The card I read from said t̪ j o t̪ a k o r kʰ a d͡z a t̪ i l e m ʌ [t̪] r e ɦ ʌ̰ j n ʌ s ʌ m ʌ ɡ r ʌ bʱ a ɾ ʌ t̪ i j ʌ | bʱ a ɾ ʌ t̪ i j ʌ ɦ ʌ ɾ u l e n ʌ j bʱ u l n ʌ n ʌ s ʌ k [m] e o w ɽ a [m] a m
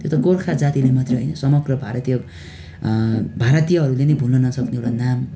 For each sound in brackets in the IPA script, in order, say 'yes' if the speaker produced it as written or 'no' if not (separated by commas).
yes, no, no